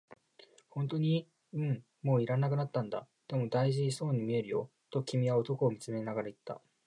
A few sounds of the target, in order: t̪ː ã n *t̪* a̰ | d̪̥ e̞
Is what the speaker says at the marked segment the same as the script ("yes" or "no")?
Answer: no